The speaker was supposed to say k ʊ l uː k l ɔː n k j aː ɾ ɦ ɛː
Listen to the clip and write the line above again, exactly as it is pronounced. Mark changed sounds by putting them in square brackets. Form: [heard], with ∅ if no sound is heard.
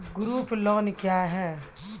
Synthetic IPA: [ɡ] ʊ [ɾ] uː [p] l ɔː n k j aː [∅] ɦ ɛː